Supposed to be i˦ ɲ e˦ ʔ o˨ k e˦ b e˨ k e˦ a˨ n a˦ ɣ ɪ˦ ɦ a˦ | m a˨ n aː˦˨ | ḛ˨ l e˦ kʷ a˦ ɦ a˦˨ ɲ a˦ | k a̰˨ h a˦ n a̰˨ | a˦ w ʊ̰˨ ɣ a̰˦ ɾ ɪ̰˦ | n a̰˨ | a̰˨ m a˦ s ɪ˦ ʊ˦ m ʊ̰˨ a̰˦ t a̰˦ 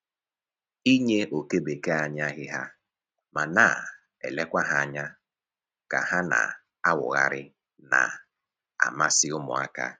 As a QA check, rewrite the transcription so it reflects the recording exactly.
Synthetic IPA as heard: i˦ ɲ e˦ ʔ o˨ k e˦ b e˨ k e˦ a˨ ɲ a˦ ɣ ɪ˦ ɦ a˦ | m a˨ n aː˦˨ | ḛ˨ l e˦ kʷ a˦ ɦ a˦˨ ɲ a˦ | k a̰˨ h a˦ n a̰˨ | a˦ w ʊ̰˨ ɣ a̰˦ ɾ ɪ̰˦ | n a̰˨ | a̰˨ m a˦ s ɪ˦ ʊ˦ m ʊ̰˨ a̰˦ k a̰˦